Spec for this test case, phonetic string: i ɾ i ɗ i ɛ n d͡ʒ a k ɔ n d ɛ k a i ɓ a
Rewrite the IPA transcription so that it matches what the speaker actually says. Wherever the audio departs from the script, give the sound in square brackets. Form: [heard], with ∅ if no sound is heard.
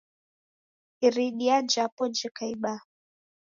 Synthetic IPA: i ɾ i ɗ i [a] n d͡ʒ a [p] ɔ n [d͡ʒ] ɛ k a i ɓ a